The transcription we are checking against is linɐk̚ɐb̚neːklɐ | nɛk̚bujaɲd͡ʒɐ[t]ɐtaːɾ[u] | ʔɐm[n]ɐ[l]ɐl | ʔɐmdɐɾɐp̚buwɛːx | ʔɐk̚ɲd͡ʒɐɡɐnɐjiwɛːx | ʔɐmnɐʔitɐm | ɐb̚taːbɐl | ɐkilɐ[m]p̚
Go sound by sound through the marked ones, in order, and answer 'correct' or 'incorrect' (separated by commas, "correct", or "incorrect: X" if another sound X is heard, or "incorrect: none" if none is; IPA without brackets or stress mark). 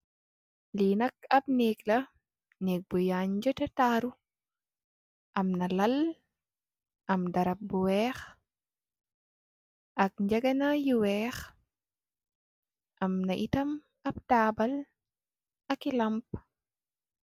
correct, correct, correct, correct, correct